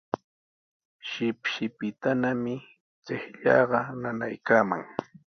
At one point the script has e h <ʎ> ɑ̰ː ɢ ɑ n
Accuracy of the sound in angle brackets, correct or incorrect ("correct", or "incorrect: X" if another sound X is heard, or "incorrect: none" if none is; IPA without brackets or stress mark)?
correct